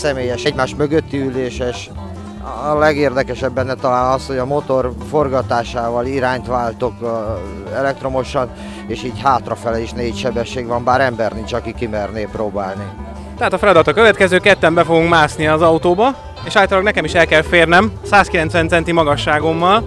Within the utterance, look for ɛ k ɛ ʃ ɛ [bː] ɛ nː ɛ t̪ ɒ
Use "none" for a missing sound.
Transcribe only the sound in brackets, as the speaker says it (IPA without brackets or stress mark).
bː